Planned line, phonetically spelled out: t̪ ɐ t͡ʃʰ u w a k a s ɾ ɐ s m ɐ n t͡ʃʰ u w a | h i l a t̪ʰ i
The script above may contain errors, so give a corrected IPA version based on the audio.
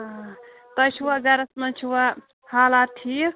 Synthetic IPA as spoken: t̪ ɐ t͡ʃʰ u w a ɡ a ɾ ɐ s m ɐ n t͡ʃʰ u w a | h a l a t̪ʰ i